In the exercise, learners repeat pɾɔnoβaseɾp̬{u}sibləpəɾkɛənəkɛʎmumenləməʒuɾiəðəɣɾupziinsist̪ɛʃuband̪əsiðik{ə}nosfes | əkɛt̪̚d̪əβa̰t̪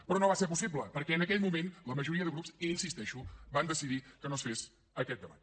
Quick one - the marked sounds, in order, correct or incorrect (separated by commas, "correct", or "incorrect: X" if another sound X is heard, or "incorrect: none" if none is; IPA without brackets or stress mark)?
correct, correct